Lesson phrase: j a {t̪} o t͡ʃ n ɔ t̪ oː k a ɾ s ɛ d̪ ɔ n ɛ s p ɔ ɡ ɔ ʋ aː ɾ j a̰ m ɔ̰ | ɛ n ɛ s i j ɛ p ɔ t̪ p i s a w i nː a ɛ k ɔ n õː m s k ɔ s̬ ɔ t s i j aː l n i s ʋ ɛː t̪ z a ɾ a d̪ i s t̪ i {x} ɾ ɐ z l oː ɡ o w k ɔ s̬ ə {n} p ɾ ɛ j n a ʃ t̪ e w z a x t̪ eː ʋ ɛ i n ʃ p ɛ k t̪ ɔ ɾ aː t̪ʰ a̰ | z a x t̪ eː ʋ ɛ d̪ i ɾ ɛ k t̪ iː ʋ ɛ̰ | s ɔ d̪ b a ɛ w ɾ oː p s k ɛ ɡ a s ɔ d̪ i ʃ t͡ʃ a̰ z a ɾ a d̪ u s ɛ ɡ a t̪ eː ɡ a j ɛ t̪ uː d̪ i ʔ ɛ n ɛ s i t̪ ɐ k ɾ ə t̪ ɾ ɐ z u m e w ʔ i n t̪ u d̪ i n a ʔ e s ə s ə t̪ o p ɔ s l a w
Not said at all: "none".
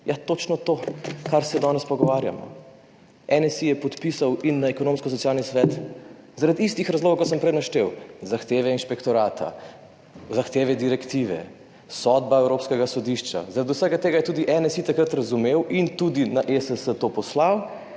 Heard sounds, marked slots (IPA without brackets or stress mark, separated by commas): t̪, x, m